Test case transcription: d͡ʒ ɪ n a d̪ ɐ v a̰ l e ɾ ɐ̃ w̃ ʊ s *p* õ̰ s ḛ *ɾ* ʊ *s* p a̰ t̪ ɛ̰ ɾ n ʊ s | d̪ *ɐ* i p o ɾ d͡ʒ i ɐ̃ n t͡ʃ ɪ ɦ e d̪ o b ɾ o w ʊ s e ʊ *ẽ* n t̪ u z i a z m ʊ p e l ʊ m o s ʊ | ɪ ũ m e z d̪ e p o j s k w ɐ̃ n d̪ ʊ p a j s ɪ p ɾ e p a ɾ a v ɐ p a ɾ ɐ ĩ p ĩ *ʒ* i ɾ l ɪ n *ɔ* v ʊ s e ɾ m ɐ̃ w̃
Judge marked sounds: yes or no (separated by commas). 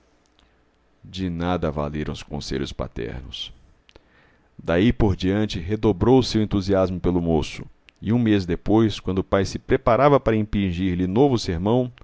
no, no, yes, no, yes, yes, no